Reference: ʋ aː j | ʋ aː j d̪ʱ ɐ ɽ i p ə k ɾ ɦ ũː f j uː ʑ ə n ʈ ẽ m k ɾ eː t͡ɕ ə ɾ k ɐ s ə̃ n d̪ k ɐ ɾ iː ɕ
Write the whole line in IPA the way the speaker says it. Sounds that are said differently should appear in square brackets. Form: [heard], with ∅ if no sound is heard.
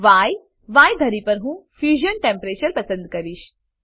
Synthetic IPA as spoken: ʋ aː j | ʋ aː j d̪ʱ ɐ [ɾ] i p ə [∅] ɾ ɦ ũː f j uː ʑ ə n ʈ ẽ m [p] ɾ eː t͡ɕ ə ɾ [p] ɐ s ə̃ n d̪ k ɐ ɾ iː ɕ